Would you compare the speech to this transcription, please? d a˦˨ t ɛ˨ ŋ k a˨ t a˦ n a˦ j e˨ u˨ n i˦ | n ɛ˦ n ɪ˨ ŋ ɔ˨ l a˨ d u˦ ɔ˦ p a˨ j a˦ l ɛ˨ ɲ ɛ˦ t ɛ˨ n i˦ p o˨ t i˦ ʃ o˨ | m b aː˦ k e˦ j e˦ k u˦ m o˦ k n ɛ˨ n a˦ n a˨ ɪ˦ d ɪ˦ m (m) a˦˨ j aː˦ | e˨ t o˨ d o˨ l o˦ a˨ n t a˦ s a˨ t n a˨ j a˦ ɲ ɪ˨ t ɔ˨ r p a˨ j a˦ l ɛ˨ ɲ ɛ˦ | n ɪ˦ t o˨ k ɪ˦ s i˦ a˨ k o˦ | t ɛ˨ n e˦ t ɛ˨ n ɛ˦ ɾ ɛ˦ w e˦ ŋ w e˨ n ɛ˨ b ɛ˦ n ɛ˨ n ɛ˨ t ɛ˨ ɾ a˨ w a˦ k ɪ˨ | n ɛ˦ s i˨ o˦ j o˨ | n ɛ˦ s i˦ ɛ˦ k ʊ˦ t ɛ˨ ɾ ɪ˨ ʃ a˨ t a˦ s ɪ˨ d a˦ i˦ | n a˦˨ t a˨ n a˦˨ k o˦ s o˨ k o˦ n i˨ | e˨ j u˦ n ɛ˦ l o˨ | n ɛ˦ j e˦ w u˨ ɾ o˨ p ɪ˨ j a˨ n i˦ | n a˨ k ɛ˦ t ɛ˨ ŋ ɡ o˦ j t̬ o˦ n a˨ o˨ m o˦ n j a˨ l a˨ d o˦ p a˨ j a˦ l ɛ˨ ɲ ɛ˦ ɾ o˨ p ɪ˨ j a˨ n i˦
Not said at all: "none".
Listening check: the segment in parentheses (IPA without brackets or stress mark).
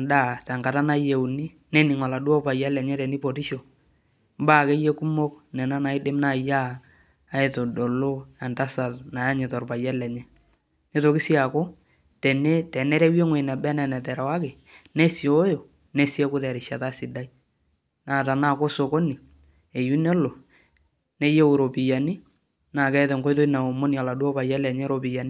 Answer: n